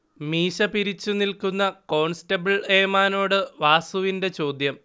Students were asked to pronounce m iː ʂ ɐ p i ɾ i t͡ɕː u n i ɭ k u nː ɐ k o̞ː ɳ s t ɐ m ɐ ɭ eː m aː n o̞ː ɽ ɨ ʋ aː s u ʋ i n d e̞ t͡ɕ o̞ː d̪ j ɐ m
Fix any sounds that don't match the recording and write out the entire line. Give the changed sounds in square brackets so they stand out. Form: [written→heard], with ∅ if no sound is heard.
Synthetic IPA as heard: m iː [ʂ→ɕ] ɐ p i ɾ i t͡ɕː u n i [ɭ→l] k u nː ɐ k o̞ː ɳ s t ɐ [m→b] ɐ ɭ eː m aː n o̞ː ɽ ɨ ʋ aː s u ʋ i n d e̞ t͡ɕ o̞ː d̪ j ɐ m